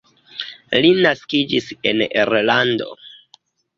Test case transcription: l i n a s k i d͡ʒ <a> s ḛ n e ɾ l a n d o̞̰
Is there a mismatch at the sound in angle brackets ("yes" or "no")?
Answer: yes